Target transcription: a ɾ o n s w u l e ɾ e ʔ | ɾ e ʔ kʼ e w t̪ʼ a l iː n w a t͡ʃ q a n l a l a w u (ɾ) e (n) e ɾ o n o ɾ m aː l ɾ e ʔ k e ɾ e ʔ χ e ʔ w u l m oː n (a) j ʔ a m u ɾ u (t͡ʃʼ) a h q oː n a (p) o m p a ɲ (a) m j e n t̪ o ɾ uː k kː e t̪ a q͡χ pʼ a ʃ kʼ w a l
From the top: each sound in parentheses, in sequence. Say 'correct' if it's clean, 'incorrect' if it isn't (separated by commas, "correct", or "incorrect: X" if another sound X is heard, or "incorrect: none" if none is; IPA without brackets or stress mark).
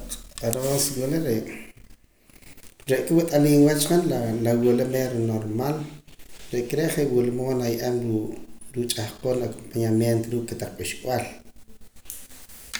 incorrect: l, incorrect: m, correct, correct, incorrect: k, correct